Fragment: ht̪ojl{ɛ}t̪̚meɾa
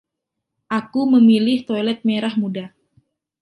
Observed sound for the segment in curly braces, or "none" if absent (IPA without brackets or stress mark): ɛ